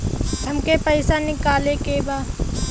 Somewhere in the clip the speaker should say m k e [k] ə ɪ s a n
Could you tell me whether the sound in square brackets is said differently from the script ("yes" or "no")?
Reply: yes